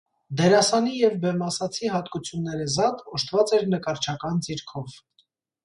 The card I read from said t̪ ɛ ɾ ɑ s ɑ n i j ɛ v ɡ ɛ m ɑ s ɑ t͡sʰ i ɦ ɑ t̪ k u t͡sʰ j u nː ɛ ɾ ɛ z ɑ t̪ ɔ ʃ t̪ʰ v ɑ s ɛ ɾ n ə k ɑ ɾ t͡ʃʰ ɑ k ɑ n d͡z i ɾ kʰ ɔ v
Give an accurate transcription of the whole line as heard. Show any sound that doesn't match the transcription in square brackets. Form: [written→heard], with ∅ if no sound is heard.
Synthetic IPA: [t̪→d̪] ɛ ɾ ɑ s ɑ n i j ɛ v [ɡ→b] ɛ m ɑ s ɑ t͡sʰ i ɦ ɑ t̪ k u t͡sʰ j u nː ɛ ɾ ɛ z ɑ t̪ ɔ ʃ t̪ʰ v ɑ [s→t͡s] ɛ ɾ n ə k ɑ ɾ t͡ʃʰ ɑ k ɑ n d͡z i ɾ kʰ ɔ v